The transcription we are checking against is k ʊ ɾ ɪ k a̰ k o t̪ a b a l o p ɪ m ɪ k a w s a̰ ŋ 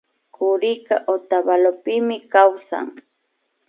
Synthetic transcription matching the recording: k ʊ ɾ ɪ k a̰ ʔ o t̪ a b a l o p ɪ m ɪ k a w s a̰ ŋ